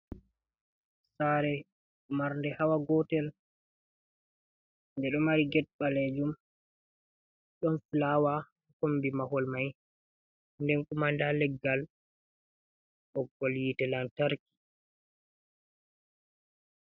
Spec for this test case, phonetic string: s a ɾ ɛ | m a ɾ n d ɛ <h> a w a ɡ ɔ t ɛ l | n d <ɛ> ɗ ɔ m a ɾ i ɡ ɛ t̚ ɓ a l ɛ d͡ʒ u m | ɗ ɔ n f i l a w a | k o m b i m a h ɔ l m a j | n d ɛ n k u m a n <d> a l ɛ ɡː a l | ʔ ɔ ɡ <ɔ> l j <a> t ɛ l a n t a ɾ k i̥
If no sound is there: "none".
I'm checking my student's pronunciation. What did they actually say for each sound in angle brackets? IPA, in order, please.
h, ɛ, d, ɔ, i

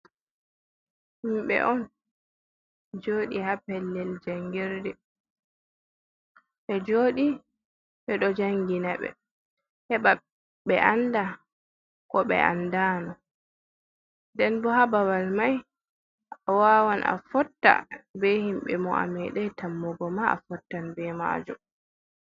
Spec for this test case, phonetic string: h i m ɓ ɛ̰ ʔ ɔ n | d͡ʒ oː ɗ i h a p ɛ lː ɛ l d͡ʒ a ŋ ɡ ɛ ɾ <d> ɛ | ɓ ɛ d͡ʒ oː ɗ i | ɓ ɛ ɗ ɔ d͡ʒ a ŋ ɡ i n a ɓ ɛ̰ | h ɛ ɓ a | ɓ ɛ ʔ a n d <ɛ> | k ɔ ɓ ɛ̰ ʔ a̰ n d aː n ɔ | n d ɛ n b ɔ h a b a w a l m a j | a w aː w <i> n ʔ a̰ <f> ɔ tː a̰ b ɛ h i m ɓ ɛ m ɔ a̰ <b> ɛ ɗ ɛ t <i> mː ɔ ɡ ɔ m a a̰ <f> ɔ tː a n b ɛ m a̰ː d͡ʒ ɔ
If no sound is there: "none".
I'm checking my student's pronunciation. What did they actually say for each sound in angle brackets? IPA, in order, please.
d, a, a, f, m, a, f

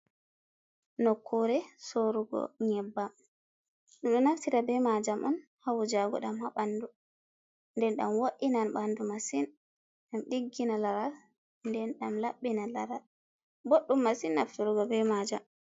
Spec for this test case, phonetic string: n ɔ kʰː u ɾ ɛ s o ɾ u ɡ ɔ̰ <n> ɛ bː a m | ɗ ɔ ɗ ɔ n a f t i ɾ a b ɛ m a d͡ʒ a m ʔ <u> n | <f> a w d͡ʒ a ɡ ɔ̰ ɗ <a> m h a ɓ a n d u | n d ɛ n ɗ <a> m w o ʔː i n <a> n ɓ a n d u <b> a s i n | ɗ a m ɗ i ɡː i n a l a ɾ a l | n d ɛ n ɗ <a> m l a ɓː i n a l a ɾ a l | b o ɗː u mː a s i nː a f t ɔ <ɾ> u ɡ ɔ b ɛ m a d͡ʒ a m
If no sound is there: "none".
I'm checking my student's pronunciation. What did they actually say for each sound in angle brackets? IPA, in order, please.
ɲ, ɔ, h, a, a, a, m, a, ɾ

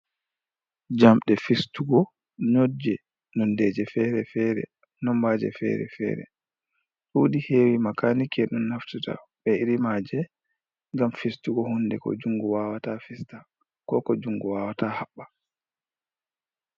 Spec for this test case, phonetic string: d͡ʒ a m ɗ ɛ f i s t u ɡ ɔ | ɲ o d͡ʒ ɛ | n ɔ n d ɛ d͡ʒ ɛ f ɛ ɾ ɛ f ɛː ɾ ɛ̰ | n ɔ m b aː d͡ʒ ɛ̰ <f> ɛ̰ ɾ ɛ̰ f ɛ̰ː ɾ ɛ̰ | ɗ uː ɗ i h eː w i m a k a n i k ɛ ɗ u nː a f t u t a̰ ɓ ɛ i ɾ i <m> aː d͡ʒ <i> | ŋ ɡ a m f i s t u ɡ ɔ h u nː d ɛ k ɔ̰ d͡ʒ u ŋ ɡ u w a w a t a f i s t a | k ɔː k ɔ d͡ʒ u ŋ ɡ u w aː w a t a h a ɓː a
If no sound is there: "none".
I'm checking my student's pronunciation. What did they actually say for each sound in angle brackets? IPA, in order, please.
f, m, ɛ

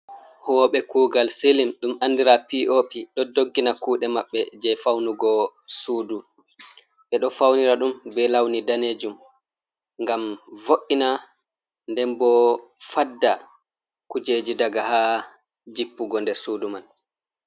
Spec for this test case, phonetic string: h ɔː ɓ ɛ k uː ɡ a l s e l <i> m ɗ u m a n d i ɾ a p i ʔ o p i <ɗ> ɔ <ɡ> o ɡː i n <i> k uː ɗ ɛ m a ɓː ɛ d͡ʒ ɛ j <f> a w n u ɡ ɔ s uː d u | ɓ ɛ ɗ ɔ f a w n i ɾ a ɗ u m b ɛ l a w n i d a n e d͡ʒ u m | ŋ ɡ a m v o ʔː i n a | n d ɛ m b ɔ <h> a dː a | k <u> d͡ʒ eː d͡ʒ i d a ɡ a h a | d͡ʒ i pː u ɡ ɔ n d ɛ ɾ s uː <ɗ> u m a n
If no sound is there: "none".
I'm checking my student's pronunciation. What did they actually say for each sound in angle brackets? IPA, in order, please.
i, ɗ, d, a, f, f, u, d

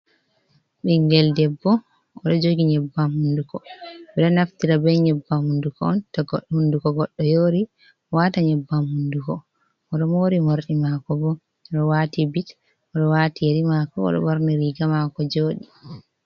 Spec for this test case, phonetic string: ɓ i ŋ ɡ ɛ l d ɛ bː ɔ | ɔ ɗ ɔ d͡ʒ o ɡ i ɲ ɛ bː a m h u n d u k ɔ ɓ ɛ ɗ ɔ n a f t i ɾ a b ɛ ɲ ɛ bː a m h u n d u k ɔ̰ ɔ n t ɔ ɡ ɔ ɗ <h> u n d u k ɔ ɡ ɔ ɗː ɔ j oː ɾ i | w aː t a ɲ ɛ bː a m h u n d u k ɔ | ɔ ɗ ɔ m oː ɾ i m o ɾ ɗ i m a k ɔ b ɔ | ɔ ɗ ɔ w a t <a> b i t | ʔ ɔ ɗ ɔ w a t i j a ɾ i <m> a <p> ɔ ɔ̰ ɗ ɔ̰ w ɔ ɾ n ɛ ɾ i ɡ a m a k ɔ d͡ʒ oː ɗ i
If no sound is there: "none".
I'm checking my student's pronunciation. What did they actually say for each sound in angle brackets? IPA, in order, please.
h, i, m, k

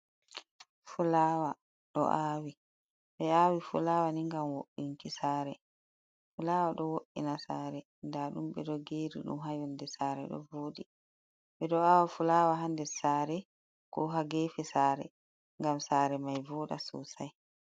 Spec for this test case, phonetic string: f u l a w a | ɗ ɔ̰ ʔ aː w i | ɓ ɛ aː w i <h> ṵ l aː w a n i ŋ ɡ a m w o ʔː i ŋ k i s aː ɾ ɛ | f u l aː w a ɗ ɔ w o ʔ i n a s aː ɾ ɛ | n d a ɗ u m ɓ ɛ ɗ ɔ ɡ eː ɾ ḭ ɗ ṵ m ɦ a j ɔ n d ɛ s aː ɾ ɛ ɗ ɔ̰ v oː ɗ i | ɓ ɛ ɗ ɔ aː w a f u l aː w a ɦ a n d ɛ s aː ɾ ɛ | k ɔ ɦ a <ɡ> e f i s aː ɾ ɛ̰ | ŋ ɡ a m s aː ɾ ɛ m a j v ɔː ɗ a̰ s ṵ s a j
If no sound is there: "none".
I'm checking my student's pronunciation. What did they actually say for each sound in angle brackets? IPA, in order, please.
f, ɡ

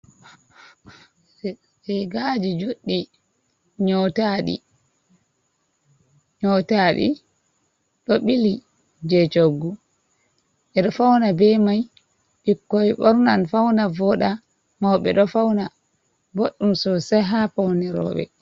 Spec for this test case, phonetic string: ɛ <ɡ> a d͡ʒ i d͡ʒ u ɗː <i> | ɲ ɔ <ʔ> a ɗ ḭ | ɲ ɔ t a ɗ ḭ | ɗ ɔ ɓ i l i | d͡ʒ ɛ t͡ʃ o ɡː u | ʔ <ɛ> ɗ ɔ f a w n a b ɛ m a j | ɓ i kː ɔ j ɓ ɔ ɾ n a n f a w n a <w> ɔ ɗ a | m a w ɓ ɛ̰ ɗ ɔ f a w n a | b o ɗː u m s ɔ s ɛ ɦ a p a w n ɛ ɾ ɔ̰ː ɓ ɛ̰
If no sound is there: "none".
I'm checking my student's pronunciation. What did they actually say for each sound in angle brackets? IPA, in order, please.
ɡ, i, t, ɛ, v

